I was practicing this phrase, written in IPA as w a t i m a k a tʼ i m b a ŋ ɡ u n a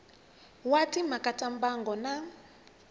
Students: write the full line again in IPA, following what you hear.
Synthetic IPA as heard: w a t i m a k a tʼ a m b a ŋ ɡ ɔ n a